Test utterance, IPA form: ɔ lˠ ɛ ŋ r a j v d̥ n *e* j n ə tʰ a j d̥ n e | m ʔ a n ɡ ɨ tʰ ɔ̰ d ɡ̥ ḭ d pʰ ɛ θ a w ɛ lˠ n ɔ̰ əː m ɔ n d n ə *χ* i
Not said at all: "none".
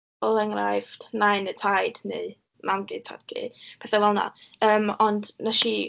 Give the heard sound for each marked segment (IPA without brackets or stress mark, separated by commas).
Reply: a, ʃ